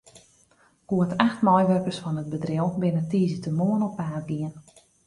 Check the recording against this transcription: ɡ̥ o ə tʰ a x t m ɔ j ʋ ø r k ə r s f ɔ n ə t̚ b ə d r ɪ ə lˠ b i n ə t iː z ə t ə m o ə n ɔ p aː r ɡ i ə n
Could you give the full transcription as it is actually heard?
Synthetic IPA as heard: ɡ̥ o ə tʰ a x t m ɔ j ʋ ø r k ə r s f ɔ n ə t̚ b ə d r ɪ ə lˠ b ɪ n ə t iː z ə t ə m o ə n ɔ p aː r ɡ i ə n